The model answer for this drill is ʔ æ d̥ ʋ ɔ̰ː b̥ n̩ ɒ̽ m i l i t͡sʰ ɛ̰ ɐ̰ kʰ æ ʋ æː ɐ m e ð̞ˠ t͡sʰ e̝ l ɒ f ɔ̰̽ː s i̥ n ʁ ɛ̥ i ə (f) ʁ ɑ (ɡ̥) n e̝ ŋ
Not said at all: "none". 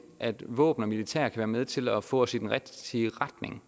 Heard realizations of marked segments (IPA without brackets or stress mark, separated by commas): none, d̥